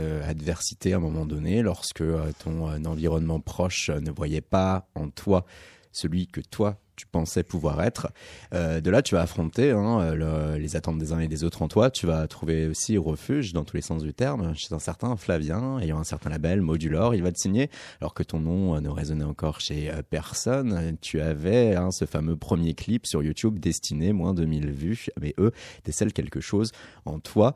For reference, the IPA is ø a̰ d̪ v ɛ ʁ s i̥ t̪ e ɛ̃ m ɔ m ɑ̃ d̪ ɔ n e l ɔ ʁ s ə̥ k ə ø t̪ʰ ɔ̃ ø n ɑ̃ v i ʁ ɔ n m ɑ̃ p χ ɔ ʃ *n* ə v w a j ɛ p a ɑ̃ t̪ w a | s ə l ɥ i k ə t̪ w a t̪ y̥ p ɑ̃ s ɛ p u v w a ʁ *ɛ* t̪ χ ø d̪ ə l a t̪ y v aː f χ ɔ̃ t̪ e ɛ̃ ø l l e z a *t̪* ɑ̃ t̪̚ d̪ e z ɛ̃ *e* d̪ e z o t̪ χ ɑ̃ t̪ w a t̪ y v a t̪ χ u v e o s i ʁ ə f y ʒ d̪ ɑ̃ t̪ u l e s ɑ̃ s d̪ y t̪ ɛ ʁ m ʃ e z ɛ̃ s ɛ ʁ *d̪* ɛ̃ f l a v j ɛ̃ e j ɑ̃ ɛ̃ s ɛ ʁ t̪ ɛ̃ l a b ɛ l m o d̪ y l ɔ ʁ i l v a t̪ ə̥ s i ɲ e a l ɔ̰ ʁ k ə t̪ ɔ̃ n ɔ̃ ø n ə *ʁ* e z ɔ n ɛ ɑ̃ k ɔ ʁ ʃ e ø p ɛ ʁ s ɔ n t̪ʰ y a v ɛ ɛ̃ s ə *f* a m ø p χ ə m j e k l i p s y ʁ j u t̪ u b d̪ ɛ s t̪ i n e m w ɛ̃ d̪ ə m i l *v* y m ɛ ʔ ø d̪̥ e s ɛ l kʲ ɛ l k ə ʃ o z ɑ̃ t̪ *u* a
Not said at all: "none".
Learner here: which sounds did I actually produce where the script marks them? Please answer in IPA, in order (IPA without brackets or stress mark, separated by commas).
n, ɛ, t̪, e, t̪, ʁ, f, v, w